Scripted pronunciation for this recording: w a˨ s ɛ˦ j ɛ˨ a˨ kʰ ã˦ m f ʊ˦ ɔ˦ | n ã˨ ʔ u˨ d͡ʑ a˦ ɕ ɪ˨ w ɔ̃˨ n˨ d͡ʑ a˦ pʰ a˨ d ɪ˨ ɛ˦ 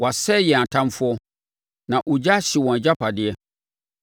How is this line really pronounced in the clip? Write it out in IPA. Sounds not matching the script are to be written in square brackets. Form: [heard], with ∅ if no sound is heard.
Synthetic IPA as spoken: w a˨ s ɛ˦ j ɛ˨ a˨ [tʰ] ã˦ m f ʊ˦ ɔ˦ | n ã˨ ʔ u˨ d͡ʑ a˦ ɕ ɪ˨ w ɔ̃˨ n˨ d͡ʑ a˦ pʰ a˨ d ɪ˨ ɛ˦